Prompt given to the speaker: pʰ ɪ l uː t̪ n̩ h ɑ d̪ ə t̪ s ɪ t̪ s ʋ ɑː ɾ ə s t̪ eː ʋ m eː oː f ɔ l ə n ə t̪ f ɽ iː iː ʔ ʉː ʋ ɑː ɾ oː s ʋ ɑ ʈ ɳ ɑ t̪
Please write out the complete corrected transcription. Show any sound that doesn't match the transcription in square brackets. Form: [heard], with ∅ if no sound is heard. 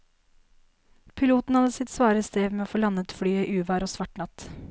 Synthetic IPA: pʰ ɪ l uː t̪ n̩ h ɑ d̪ ə [∅] s ɪ t̪ s ʋ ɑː ɾ ə s t̪ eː ʋ m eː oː f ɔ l [ɑ] n ə t̪ f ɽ [yː] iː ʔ ʉː ʋ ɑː ɾ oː s ʋ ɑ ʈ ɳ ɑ t̪